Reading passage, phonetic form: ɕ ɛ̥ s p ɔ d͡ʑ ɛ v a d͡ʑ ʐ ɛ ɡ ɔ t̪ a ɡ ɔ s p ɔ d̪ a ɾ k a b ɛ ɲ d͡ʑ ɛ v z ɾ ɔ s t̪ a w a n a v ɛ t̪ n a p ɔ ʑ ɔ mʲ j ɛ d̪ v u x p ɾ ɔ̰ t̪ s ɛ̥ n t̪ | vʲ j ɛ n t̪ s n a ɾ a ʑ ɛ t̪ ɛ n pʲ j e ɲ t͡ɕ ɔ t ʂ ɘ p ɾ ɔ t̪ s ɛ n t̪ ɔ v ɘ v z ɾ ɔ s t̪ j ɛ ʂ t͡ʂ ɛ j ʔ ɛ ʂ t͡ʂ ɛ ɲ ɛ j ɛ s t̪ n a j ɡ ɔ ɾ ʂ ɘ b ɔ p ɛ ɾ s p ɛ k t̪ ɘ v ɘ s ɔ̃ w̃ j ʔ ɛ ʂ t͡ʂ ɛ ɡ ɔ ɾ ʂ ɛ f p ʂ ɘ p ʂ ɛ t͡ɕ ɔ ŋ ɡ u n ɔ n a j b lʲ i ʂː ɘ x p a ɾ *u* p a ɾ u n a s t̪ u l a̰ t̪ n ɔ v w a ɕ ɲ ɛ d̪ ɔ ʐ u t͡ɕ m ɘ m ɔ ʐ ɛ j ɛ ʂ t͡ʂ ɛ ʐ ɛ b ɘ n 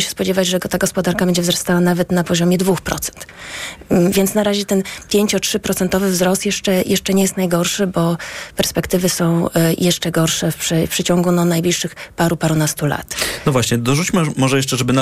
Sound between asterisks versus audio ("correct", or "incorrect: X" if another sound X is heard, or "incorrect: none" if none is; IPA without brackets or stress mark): correct